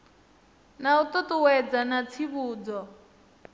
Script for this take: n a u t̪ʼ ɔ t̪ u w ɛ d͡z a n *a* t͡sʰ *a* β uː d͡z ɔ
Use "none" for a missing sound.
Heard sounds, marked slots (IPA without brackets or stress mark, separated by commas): a, i